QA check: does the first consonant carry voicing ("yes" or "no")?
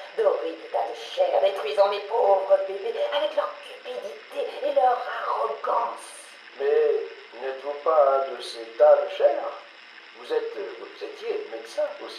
yes